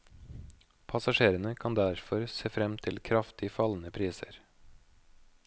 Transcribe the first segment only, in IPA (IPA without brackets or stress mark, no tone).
pʰ